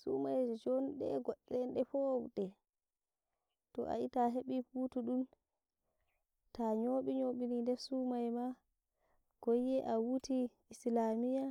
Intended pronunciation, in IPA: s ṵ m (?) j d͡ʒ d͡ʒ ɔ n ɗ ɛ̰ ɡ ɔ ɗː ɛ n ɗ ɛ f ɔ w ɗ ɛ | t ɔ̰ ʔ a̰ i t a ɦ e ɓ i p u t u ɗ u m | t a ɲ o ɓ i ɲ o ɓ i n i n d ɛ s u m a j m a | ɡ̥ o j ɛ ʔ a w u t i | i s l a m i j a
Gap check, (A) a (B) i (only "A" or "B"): A